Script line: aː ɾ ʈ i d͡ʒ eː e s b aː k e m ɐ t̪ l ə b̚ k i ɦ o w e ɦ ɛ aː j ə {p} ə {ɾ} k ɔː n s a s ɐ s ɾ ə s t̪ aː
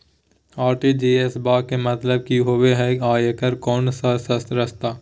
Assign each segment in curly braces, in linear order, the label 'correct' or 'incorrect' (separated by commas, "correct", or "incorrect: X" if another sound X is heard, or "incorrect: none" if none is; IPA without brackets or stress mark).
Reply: incorrect: k, correct